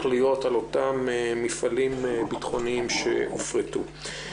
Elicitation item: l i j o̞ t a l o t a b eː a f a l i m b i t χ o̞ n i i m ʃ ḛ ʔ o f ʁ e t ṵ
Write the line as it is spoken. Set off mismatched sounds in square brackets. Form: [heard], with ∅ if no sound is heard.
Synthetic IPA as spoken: l i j o̞ t a l o t a [m] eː [i] f a l i m b i t χ o̞ n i i m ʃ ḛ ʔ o f ʁ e t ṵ